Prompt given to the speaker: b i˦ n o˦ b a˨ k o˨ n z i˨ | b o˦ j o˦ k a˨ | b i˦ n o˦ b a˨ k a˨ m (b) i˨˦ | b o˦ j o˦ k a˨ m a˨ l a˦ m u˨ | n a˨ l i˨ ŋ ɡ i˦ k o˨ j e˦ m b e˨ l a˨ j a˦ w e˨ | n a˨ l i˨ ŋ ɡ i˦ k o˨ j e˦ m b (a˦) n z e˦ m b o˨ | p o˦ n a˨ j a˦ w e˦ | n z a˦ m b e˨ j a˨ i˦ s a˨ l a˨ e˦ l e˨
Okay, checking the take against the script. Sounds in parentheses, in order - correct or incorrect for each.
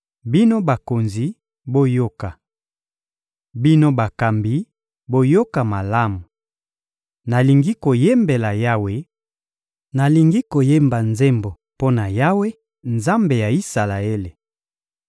correct, incorrect: a˨

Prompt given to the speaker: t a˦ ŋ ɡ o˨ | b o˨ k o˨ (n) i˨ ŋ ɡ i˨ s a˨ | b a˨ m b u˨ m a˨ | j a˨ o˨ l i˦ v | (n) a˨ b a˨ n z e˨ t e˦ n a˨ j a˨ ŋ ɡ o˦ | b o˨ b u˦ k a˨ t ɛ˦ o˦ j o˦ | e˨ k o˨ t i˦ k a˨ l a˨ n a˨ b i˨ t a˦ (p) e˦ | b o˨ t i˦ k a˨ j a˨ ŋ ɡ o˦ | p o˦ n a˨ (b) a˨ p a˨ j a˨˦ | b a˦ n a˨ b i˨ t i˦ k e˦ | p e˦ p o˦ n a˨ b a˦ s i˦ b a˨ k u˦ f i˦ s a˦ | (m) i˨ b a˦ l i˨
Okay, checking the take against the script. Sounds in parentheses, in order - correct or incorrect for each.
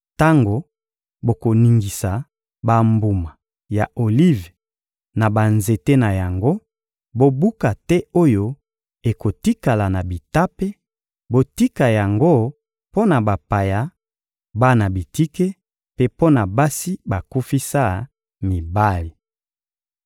correct, correct, correct, correct, correct

